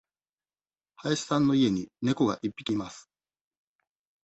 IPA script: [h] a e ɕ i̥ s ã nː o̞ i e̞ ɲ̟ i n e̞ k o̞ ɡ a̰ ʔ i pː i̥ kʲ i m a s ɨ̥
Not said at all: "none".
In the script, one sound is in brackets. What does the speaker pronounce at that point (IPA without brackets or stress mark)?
h